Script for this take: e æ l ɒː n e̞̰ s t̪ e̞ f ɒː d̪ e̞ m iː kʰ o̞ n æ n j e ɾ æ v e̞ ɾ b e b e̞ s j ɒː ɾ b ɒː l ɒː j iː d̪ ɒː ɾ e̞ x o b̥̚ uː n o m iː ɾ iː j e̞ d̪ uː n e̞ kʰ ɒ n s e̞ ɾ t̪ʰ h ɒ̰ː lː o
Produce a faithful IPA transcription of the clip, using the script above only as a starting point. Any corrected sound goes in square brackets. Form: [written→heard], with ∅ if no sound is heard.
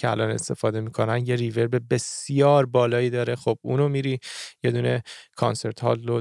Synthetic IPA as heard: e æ l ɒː n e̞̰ s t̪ e̞ f ɒː d̪ e̞ m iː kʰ o̞ n æ n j e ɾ [æ→i] v e̞ ɾ b e b e̞ s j ɒː ɾ b ɒː l ɒː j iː d̪ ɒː ɾ e̞ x o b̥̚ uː n o m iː ɾ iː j e̞ d̪ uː n e̞ kʰ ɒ n s e̞ ɾ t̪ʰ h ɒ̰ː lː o